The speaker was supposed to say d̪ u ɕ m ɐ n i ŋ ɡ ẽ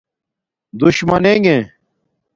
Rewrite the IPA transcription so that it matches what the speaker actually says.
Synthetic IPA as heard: d̪ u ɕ m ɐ n e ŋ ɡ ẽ